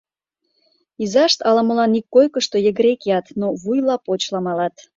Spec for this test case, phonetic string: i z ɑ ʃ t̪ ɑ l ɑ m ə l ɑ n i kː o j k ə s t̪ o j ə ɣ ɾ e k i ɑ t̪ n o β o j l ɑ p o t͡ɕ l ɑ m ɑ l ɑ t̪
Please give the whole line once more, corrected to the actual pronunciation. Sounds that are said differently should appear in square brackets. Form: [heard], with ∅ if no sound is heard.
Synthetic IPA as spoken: i z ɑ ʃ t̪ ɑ l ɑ m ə l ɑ n i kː o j k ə [ʃ] t̪ o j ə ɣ ɾ e k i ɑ t̪ n o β [u] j l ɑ p o t͡ɕ l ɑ m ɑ l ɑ t̪